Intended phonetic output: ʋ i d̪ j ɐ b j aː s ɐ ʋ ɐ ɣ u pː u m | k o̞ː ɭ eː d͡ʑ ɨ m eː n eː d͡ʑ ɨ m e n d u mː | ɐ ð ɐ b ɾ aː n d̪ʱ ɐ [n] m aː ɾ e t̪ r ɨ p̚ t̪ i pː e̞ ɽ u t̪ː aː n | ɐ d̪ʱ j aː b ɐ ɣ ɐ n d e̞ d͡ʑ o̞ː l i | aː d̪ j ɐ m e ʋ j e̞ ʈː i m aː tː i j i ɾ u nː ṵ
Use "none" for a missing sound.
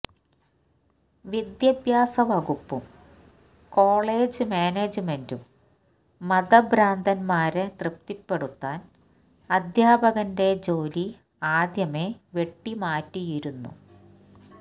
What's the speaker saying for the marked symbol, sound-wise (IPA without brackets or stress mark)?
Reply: n